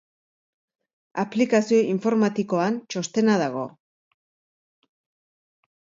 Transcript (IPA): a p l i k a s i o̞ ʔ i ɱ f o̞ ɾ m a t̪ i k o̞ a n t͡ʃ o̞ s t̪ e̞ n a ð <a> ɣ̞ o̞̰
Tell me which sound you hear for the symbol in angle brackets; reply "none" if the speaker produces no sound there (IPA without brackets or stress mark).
a